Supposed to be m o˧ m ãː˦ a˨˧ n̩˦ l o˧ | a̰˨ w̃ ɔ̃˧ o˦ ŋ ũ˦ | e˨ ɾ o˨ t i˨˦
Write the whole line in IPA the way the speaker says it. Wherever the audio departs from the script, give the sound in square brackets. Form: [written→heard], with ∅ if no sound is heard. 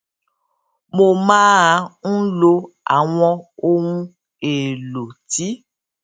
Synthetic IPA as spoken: m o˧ m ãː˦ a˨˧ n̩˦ l o˧ | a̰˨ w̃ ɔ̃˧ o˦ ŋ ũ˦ | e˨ [ɾ→l] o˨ t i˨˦